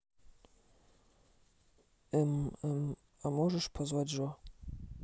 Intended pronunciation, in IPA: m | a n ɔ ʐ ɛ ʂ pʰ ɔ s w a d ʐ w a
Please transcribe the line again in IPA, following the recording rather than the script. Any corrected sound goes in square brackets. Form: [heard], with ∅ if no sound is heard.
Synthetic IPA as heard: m | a [m] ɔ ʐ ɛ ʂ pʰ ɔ [z] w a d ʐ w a